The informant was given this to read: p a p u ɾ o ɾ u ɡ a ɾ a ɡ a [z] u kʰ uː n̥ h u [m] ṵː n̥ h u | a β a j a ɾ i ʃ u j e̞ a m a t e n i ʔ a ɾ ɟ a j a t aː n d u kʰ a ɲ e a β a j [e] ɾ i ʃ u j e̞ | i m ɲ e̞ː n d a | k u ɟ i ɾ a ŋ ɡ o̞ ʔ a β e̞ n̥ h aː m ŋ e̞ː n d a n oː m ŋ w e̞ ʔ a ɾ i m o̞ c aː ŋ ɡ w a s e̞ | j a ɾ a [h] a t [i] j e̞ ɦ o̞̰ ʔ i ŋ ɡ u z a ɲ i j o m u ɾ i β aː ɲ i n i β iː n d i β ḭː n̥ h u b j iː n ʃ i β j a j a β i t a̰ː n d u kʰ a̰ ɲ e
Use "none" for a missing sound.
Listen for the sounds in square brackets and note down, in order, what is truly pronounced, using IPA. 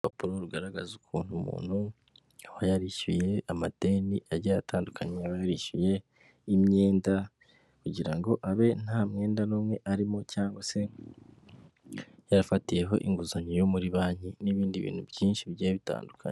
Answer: z, m, a, f, i

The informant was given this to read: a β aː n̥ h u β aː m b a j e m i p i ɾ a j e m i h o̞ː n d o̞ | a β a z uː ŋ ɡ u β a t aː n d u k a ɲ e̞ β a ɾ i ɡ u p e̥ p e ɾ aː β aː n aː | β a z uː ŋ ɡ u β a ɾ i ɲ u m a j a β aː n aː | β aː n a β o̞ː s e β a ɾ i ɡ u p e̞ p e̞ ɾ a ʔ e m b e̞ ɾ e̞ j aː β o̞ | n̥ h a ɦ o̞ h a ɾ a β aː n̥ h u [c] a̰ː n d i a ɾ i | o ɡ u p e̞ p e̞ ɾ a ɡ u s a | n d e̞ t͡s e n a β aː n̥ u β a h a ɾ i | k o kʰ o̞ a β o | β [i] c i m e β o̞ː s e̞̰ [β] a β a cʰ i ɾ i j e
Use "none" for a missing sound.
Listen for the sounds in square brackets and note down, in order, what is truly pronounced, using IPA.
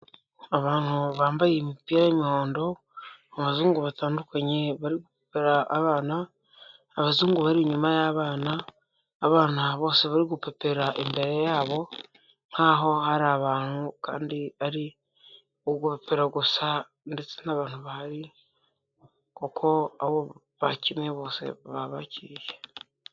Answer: k, a, β

